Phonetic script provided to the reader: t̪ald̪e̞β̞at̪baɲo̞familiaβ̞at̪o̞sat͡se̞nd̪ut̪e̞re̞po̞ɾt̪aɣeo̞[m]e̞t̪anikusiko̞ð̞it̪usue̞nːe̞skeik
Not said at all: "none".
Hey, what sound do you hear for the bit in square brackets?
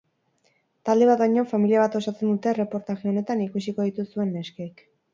n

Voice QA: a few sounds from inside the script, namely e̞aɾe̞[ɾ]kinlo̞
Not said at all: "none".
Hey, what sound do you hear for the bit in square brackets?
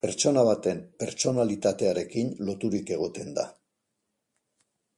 none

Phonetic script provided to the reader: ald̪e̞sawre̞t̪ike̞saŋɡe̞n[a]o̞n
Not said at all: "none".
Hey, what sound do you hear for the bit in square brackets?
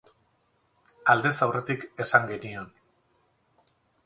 i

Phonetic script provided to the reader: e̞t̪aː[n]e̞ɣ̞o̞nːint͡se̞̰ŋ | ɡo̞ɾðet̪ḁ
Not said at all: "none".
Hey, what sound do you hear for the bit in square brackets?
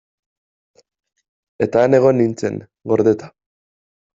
n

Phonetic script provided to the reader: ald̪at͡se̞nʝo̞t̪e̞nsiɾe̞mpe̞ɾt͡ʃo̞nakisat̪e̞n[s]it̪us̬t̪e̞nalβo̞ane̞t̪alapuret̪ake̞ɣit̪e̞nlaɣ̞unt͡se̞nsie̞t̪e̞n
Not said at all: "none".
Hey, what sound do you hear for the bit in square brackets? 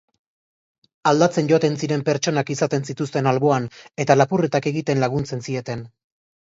s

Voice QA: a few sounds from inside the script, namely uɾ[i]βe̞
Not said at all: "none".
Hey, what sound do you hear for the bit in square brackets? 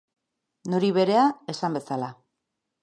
i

